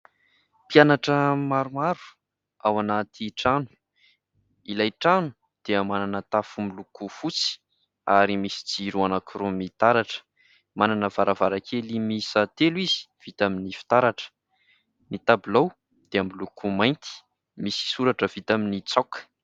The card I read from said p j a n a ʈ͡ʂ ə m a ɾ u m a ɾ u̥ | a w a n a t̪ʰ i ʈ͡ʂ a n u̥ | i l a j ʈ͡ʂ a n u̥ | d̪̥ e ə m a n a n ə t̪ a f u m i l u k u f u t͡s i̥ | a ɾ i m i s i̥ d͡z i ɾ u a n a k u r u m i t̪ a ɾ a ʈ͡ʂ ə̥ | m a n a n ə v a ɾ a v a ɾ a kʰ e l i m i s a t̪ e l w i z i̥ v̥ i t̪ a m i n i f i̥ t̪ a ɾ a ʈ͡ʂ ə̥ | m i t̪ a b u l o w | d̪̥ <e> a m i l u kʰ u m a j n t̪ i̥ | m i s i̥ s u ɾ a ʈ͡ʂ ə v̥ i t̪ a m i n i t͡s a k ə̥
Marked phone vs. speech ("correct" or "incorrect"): correct